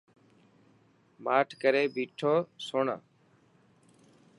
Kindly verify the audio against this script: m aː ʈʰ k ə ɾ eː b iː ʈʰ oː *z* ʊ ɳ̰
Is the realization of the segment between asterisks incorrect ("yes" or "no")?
yes